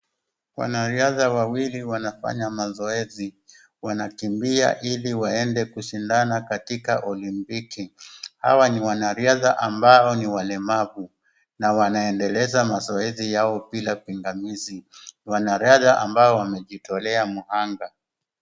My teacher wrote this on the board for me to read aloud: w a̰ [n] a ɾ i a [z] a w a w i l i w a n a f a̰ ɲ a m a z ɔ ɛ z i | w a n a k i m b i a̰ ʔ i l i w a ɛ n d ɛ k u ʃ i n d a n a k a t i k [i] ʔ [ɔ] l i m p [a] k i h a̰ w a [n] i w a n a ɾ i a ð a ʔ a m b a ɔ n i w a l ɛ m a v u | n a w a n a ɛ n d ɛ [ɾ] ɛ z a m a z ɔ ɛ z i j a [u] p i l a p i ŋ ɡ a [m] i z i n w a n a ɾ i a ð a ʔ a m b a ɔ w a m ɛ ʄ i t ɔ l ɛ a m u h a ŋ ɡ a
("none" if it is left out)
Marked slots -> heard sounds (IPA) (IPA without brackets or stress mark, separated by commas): n, ð, a, ɔ, i, n, l, ɔ, m